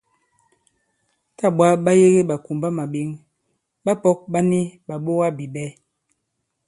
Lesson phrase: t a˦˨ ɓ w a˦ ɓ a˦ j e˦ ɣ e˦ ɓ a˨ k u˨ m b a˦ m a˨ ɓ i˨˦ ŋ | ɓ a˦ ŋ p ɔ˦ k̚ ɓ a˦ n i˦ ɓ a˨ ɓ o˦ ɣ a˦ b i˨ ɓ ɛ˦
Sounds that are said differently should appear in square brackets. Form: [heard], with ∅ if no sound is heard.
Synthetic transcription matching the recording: t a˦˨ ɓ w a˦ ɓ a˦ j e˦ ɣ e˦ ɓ a˨ k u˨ m b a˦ m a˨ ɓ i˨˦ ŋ | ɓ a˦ [∅] p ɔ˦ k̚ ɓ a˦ n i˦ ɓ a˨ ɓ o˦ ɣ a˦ b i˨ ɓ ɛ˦

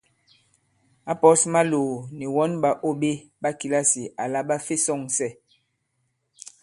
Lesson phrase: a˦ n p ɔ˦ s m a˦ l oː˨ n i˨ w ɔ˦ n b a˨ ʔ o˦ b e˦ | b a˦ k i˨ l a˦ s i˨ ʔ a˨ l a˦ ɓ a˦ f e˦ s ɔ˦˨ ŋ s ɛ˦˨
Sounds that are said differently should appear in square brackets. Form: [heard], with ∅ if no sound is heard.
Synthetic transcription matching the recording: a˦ [∅] p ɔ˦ s m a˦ l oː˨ n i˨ w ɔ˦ n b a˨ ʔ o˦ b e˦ | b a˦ k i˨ l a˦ s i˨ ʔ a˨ l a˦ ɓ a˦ f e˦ s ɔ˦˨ ŋ s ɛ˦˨

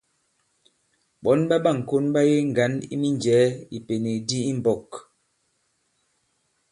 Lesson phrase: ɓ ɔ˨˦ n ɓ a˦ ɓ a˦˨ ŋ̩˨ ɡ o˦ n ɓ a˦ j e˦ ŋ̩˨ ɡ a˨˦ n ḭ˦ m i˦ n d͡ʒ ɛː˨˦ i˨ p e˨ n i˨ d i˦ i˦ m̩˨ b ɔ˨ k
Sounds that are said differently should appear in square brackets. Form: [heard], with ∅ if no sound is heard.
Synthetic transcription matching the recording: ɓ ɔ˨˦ n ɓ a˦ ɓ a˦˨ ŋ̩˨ [k] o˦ n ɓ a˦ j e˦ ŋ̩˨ ɡ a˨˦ n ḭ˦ m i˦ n d͡ʒ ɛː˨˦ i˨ p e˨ n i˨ d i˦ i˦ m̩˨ b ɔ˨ k

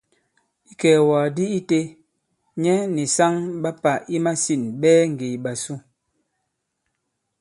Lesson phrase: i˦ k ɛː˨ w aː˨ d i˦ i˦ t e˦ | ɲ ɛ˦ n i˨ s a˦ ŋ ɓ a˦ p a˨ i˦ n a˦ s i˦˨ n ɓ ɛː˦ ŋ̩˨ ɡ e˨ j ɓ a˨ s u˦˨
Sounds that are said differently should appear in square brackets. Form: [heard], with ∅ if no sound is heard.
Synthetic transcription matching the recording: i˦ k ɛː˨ w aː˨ d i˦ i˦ t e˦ | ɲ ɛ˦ n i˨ s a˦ ŋ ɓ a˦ p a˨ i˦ [m] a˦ s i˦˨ n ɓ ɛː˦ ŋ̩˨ ɡ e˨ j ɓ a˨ s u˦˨

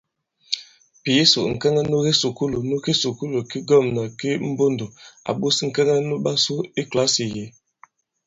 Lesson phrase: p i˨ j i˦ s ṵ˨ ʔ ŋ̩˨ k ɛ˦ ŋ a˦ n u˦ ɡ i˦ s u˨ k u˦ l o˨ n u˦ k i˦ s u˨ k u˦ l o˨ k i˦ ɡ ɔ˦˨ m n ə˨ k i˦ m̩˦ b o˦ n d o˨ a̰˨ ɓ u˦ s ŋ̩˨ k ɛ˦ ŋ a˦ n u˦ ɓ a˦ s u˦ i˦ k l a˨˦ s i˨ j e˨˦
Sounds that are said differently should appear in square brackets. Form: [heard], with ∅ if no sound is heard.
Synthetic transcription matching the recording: p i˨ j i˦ s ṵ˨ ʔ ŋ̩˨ k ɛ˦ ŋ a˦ n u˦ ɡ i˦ s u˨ k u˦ l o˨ n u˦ k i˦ s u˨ k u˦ l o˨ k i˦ ɡ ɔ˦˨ m n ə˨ k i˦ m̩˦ b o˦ n d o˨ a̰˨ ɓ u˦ s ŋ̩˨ k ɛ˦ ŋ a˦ n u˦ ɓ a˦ s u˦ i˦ k l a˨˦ s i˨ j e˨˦

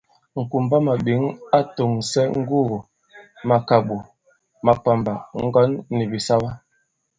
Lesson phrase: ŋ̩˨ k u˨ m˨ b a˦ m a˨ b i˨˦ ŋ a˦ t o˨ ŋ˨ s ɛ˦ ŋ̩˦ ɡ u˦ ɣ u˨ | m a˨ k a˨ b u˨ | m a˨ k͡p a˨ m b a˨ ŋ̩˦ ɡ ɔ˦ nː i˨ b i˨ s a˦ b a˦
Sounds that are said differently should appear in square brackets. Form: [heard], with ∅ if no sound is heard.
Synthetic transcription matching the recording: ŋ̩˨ k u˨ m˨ b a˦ m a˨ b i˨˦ ŋ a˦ t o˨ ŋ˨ s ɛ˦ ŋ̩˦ ɡ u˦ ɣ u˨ | m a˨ k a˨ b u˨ | m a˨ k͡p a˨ m b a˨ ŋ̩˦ ɡ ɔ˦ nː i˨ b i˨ s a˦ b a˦

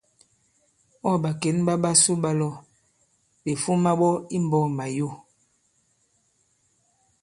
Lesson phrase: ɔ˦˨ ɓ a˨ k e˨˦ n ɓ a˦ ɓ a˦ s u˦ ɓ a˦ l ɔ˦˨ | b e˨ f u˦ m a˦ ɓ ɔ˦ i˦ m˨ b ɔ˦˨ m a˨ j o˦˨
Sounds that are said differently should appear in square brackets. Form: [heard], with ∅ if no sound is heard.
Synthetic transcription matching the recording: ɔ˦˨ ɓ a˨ k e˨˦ n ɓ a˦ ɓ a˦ s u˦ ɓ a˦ l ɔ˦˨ | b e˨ f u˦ m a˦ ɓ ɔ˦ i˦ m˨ b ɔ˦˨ m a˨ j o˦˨

